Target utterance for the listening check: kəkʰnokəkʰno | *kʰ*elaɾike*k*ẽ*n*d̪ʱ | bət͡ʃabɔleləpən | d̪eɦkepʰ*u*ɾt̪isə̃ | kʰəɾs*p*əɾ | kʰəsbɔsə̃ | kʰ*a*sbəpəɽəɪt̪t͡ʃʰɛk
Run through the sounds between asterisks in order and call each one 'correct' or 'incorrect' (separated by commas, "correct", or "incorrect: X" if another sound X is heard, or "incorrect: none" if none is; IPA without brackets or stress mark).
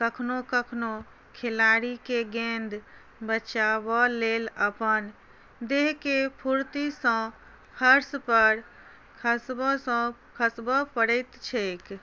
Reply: correct, incorrect: ɡ, correct, correct, correct, incorrect: ə